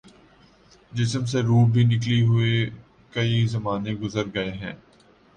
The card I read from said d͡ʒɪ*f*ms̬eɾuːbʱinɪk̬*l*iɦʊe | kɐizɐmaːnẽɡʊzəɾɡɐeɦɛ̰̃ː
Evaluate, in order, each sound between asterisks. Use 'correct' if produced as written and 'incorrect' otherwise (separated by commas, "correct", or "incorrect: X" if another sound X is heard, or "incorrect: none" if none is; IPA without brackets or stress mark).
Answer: incorrect: s, correct